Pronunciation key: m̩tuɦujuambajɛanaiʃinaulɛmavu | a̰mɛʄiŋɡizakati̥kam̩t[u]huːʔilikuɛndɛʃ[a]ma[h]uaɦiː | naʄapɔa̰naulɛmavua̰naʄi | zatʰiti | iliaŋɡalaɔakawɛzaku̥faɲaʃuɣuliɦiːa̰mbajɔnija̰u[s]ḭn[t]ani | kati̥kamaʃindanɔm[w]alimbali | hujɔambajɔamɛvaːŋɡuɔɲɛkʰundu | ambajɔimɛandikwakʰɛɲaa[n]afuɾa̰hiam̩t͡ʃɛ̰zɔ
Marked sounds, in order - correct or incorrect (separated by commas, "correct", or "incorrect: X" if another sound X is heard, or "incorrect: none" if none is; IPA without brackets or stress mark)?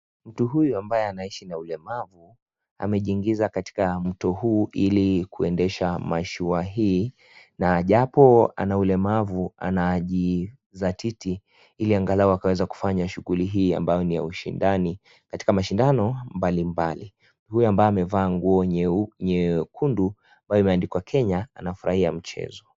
incorrect: ɔ, correct, incorrect: ʃ, incorrect: ʃ, incorrect: d, incorrect: b, correct